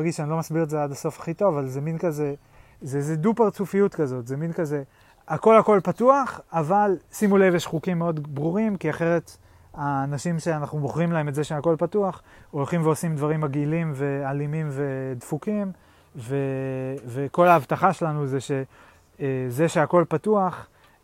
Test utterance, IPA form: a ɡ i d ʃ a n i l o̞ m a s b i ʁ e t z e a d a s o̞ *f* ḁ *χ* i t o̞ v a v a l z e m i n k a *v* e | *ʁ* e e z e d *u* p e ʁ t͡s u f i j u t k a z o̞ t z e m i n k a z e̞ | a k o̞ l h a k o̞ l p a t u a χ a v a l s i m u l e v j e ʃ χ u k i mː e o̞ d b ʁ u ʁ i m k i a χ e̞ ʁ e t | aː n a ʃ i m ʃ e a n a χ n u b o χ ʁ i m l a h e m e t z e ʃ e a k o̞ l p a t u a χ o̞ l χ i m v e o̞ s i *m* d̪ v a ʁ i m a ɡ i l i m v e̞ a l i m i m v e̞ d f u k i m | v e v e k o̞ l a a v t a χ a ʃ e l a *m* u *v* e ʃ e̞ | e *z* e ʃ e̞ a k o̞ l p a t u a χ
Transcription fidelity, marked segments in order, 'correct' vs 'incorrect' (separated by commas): correct, correct, incorrect, incorrect, correct, correct, incorrect, incorrect, correct